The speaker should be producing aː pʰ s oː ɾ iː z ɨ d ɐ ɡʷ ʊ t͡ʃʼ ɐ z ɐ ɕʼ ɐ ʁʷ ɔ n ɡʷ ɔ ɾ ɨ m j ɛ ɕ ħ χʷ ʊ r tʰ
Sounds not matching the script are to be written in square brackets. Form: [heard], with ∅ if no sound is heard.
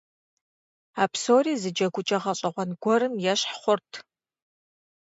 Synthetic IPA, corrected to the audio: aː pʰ s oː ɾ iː z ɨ [d͡ʒ] ɐ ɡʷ ʊ t͡ʃʼ ɐ [ʁ] ɐ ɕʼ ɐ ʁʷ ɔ n ɡʷ ɔ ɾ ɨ m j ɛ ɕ ħ χʷ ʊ r tʰ